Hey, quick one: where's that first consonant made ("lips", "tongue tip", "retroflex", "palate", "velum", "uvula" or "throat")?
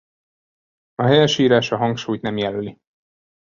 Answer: throat